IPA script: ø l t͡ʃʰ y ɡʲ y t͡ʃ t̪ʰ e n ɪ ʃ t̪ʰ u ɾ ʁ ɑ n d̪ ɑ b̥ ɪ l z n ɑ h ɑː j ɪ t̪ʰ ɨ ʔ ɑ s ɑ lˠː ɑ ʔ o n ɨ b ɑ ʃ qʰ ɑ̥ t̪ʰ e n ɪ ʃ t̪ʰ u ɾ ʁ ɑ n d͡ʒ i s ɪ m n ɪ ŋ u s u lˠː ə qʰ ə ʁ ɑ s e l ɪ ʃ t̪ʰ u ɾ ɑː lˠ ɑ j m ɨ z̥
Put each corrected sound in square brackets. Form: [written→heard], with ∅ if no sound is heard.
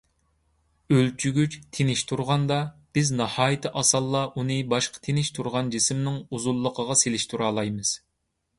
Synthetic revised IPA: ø l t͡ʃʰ y ɡʲ y t͡ʃ t̪ʰ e n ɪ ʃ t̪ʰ u ɾ ʁ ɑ n d̪ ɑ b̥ ɪ [l→∅] z n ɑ h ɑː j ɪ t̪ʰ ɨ ʔ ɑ s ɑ lˠː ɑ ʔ [o→u] n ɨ b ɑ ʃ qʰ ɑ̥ t̪ʰ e n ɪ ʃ t̪ʰ u ɾ ʁ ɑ n d͡ʒ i s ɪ m n ɪ ŋ u [s→z] u lˠː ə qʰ ə ʁ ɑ s e l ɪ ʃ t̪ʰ u ɾ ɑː lˠ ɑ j m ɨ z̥